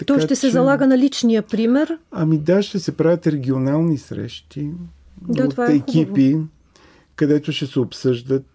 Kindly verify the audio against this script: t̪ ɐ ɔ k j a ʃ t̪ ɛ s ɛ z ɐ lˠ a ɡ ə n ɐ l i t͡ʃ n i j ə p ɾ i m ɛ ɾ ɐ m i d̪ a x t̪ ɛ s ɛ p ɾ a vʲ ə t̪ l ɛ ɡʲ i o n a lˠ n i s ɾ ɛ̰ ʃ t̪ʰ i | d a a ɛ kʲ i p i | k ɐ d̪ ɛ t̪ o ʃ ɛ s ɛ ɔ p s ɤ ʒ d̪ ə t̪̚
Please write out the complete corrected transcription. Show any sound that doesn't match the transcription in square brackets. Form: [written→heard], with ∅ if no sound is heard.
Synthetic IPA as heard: t̪ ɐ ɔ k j a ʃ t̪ ɛ s ɛ z ɐ lˠ a ɡ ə n ɐ l i t͡ʃ n i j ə p ɾ i m ɛ ɾ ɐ m i d̪ a [x→ʃ] t̪ ɛ s ɛ p ɾ a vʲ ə t̪ [l→ɾ] ɛ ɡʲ i o n a lˠ n i s ɾ ɛ̰ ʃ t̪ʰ i | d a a ɛ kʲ i p i | k ɐ d̪ ɛ t̪ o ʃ ɛ s ɛ [ɔ→o] p s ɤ ʒ d̪ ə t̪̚